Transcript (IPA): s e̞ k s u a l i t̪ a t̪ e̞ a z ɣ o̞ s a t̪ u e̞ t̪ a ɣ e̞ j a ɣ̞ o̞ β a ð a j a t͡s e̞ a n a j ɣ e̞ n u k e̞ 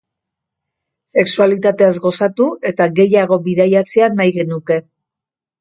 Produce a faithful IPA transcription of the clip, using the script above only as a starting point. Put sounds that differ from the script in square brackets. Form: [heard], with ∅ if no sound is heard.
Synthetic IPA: s e̞ k s u a l i t̪ a t̪ e̞ a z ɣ o̞ s a t̪ u e̞ t̪ a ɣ e̞ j a ɣ̞ o̞ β [i] ð a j a t͡s e̞ a n a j ɣ e̞ n u k e̞